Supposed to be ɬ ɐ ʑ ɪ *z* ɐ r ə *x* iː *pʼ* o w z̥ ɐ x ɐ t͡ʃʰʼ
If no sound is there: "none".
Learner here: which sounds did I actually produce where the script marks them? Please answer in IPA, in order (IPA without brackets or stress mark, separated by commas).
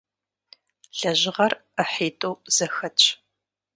ʁ, ħ, tʼ